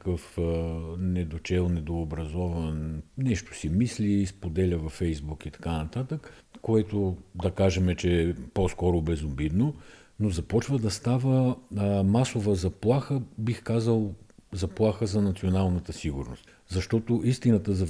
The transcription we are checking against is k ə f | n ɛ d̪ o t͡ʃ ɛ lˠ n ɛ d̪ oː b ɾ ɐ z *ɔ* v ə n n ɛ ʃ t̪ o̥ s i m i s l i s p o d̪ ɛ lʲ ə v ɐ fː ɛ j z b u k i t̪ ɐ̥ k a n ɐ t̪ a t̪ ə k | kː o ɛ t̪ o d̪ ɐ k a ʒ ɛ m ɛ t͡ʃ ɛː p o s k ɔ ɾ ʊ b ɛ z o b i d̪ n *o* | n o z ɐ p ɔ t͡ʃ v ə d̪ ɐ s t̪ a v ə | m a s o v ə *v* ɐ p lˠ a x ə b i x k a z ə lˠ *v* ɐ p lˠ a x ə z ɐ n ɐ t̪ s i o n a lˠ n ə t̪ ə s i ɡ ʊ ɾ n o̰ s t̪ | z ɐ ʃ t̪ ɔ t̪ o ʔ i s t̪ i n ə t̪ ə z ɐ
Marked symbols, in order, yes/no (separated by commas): yes, yes, no, no